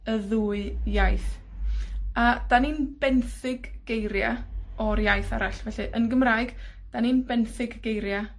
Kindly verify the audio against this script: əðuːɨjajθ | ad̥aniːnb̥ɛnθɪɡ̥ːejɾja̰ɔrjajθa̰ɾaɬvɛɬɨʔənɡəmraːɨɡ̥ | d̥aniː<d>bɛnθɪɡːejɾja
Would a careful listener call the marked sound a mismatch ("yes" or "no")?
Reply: yes